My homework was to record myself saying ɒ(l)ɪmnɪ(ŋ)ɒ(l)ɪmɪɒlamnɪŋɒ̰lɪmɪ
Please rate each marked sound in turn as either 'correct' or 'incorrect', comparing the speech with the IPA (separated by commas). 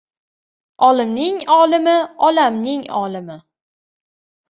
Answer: correct, correct, correct